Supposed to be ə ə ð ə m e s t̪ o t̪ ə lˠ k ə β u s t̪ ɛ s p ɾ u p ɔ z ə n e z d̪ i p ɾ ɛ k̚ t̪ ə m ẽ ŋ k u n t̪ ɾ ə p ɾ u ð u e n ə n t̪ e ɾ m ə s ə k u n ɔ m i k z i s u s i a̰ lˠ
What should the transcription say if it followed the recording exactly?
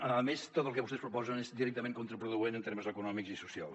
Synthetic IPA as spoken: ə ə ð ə m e s t̪ o t̪ ə lˠ k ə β u s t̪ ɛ s p ɾ u p ɔ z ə n e z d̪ i ɾ ɛ k̚ t̪ ə m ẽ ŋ k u n t̪ ɾ ə p ɾ u ð u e n ə n t̪ e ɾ m ə z ə k u n ɔ m i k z i s u s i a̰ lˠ